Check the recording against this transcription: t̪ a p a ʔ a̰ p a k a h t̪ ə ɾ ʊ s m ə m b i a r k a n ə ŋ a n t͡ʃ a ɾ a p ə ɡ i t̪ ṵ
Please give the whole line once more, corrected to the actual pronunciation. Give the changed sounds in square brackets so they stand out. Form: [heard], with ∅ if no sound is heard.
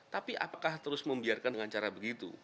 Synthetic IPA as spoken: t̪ a p [i] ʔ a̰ p a k a h t̪ ə ɾ ʊ s m ə m b i a r k a n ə ŋ a n t͡ʃ a ɾ a [b] ə ɡ i t̪ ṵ